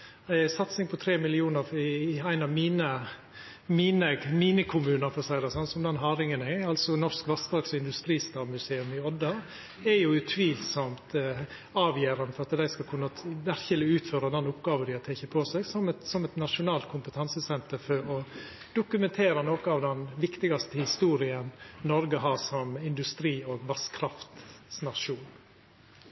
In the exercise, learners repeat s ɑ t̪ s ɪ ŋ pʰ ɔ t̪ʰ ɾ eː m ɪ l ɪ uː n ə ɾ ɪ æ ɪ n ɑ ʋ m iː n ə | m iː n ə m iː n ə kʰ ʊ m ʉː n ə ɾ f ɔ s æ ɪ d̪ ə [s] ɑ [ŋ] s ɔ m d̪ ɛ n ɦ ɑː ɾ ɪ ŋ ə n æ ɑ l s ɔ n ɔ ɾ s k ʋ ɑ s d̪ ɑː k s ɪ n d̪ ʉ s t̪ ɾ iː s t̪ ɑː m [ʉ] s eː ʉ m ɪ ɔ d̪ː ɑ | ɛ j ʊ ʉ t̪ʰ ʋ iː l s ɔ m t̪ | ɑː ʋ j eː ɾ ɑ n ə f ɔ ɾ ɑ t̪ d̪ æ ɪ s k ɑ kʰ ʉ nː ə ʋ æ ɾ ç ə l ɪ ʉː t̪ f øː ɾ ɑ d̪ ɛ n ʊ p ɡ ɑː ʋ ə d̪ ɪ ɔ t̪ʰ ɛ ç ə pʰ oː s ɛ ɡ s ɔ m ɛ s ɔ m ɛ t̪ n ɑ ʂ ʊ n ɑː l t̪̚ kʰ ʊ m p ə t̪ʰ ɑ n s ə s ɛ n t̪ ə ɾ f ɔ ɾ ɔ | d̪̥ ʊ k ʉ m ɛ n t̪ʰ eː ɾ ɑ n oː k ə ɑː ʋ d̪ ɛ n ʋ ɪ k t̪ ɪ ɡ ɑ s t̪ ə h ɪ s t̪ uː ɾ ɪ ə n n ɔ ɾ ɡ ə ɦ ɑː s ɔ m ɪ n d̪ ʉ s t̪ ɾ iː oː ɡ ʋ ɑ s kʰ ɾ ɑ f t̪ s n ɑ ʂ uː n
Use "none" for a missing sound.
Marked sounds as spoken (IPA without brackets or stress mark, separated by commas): s, n, ʉ